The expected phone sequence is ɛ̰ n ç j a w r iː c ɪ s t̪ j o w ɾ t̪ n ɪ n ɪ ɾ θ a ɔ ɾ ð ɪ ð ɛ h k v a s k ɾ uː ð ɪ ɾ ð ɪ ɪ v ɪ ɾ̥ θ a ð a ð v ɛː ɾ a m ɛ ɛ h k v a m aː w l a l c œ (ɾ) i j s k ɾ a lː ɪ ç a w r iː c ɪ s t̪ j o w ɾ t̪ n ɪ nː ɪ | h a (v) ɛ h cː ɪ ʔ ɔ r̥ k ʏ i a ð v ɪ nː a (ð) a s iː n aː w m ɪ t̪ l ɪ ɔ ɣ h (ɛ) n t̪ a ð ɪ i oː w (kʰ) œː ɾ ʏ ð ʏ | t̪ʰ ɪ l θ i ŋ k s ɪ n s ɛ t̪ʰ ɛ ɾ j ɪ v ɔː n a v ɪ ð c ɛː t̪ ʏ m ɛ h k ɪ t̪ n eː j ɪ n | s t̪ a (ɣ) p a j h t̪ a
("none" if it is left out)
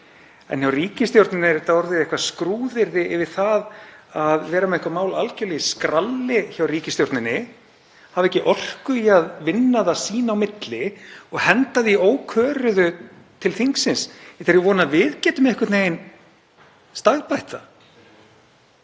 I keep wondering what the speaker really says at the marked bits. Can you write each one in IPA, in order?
l, v, ð, ɛ, kʰ, ɣ

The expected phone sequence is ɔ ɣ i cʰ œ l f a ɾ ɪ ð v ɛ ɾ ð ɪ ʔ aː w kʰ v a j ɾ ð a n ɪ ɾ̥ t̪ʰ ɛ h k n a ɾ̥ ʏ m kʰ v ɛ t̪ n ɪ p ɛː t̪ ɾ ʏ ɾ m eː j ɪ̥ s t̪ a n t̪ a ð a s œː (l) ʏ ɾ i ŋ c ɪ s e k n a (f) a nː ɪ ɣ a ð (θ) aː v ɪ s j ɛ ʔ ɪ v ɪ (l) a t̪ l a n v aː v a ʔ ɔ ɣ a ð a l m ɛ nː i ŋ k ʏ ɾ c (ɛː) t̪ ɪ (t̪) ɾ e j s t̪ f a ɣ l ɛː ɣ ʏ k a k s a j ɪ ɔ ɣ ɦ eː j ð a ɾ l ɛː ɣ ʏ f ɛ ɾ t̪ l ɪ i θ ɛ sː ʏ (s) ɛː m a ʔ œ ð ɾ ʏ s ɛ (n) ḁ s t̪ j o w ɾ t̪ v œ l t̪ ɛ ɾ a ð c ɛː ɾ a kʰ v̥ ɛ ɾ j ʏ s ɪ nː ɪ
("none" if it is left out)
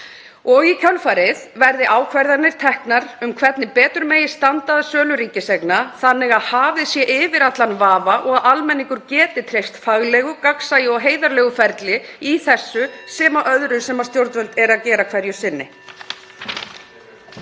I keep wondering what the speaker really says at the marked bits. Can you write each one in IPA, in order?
l, θ, h, ɾ, ɛː, t̪ʰ, s, m

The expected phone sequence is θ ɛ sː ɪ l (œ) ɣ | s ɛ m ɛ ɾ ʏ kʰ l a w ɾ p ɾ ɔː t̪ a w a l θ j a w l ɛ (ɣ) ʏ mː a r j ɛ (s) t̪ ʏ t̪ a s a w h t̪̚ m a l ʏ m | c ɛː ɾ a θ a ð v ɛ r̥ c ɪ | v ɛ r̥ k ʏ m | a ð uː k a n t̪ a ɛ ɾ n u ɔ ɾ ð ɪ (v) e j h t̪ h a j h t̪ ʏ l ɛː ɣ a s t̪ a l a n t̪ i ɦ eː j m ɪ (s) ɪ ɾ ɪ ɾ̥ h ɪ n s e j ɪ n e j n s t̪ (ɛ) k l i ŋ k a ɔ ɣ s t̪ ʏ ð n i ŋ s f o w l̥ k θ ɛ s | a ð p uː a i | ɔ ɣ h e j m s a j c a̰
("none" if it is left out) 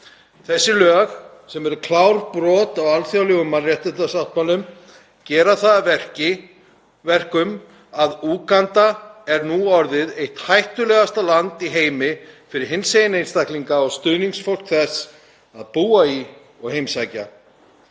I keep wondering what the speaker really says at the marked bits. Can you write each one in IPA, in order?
œː, ɣ, h, ð, f, a

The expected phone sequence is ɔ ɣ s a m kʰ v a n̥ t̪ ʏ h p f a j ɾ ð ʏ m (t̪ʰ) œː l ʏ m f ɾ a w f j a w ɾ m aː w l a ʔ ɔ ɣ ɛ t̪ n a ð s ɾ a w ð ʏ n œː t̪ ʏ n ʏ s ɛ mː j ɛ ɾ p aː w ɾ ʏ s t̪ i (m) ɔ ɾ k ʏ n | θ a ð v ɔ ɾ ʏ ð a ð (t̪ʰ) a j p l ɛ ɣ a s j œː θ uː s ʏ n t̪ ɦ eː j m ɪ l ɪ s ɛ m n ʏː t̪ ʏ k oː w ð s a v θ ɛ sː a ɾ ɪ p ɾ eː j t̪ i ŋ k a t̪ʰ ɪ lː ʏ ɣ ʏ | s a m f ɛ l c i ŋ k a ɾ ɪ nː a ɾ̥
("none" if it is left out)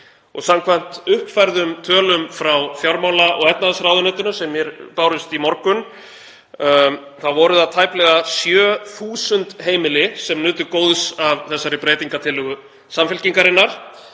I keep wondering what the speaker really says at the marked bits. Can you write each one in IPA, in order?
t̪ʰ, m, t̪ʰ

